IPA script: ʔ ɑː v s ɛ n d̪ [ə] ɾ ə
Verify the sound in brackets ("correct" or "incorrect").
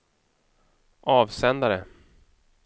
incorrect